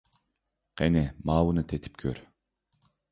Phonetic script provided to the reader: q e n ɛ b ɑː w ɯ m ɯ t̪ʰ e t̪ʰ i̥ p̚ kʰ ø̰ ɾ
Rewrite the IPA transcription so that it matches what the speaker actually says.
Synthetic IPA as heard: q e n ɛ m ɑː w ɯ n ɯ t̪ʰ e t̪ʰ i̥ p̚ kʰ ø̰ ɾ